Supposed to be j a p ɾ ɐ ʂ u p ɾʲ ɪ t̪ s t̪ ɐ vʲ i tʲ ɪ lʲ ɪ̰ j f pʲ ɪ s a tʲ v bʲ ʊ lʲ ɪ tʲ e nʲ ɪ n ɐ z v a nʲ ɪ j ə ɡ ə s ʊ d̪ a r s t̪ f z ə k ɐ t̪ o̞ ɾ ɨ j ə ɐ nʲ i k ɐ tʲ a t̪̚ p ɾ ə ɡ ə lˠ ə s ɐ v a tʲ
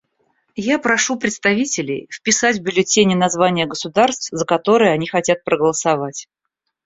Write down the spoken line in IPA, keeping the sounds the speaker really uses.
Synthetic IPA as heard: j a p ɾ ɐ ʂ u p ɾʲ ɪ t̪ s t̪ ɐ vʲ i tʲ ɪ lʲ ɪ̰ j f pʲ ɪ s a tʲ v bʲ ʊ lʲ ɪ tʲ e nʲ ɪ n ɐ z v a nʲ ɪ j ə ɡ ə s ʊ d̪ a r s t̪ f z ə k ɐ t̪ o̞ ɾ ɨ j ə ɐ nʲ i x ɐ tʲ a t̪̚ p ɾ ə ɡ ə lˠ ə s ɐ v a tʲ